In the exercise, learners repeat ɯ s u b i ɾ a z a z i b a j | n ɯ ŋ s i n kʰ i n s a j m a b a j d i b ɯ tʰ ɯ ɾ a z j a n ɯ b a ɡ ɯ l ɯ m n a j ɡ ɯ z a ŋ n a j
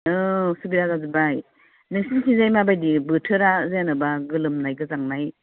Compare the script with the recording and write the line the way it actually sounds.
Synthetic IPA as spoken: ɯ s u b i ɾ a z a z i b a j | n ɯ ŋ s i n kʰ i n z a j m a b a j d i b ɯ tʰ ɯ ɾ a z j a n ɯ b a ɡ ɯ l ɯ m n a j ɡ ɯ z a ŋ n a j

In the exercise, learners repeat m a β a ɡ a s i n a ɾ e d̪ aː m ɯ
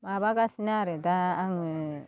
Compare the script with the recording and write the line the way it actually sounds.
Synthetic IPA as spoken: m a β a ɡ a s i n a ɾ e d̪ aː ŋ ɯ

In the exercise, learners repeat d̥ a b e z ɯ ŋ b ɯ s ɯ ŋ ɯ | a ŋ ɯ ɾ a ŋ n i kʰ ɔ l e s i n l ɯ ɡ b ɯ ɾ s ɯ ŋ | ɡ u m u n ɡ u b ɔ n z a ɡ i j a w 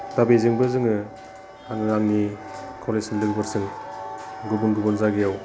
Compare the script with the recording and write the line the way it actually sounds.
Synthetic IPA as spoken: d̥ a b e z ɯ ŋ b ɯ z ɯ ŋ ɯ | a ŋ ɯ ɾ a ŋ n i kʰ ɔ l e s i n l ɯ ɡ b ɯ ɾ s ɯ ŋ | ɡ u b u n ɡ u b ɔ n z a ɡ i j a w

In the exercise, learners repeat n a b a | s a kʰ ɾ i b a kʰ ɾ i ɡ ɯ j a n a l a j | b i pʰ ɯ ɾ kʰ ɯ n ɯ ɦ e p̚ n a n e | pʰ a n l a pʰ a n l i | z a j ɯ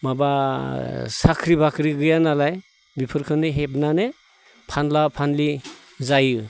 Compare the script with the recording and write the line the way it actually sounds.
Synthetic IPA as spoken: m a b a | s a kʰ ɾ i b a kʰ ɾ i ɡ ɯ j a n a l a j | b i pʰ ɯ ɾ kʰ ɯ n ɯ ɦ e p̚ n a n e | pʰ a n l a pʰ a n l i | z a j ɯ

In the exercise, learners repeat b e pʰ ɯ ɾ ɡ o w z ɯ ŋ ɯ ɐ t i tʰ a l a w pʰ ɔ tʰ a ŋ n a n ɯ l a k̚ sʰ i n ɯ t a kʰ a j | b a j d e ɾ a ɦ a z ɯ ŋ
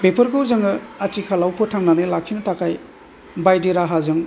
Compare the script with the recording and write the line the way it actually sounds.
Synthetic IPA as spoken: b e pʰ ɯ ɾ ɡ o w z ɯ ŋ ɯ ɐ t i kʰ a l a w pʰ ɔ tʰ a ŋ n a n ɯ l a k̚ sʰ i n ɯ t a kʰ a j | b a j d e ɾ a ɦ a z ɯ ŋ

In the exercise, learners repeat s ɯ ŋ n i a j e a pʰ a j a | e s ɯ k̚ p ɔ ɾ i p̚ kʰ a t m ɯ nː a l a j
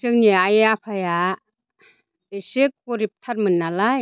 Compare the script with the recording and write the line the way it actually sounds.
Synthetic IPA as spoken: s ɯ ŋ n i a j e a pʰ a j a | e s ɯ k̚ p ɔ ɾ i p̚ tʰ a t m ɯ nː a l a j

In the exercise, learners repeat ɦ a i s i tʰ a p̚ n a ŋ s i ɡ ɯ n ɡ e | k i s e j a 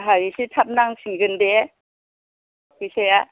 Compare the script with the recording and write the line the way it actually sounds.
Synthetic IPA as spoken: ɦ a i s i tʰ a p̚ n a ŋ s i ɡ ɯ n d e | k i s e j a

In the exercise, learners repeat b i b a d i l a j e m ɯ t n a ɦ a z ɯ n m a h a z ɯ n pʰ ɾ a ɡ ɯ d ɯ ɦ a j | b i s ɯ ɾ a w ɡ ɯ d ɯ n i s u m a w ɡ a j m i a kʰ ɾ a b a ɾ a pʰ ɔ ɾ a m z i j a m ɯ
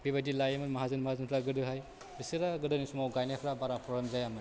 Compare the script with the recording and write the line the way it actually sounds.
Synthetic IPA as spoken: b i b a d i l a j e m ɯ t m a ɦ a z ɯ n m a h a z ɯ n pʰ ɾ a ɡ ɯ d ɯ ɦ a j | b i s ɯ ɾ a ɡ ɯ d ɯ n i s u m a w ɡ a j n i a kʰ ɾ a b a ɾ a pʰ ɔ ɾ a m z a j a m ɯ

